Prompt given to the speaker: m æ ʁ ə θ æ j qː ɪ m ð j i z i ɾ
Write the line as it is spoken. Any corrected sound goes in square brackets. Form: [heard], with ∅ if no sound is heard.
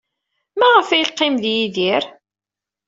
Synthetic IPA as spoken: m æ ʁ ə [f] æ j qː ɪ m ð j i [ð] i ɾ